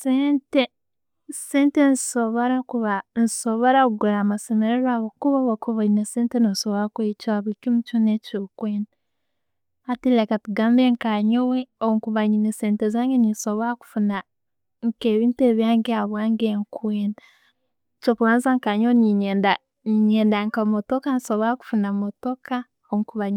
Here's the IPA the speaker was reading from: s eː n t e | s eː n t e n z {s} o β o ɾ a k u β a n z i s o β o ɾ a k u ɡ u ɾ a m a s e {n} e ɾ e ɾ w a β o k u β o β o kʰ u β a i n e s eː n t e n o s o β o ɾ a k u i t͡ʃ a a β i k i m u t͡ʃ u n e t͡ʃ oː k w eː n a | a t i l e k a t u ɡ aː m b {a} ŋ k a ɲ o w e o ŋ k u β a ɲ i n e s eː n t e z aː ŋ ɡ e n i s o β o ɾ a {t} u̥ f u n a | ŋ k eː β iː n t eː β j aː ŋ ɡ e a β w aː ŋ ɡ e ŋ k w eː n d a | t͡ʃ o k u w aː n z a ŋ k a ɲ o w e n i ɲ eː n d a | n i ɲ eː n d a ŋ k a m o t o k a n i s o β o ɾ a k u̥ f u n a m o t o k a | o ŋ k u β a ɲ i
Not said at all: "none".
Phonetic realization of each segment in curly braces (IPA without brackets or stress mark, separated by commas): s, m, e, k